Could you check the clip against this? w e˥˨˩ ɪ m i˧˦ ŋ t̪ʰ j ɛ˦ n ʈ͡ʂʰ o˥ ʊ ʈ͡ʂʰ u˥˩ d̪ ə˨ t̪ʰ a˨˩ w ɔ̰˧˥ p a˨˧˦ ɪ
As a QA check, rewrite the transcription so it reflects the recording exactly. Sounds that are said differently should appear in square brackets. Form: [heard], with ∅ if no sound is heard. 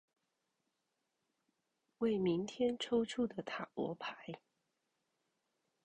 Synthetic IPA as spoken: w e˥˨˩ ɪ m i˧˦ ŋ t̪ʰ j ɛ˦ n ʈ͡ʂʰ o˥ ʊ ʈ͡ʂʰ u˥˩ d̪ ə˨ t̪ʰ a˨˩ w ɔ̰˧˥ [pʰ] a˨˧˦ ɪ